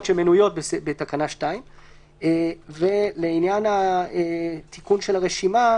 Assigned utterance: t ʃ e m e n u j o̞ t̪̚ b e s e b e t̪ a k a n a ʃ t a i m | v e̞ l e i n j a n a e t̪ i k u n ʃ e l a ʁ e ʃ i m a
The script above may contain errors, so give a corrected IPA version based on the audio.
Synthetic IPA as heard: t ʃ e m e n u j o̞ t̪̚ b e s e b e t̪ a k a n a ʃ t a i m | v e̞ l e i n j a n a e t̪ i k u n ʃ e l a ʁ e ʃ i m a